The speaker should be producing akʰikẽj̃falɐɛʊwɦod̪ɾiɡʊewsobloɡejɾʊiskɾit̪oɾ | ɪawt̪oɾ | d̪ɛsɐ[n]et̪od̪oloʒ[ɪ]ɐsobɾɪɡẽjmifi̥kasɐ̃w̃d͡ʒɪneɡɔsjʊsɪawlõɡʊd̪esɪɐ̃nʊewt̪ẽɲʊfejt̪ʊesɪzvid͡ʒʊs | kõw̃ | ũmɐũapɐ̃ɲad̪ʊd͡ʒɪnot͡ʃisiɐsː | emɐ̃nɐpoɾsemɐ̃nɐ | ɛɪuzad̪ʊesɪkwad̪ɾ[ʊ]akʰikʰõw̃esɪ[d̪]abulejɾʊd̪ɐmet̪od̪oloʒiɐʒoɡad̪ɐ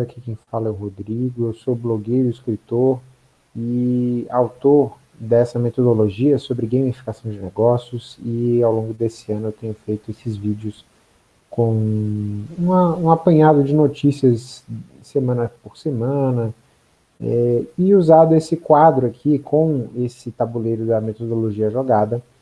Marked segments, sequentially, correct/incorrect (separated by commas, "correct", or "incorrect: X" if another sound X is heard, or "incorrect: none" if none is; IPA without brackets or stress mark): incorrect: m, incorrect: i, correct, incorrect: t̪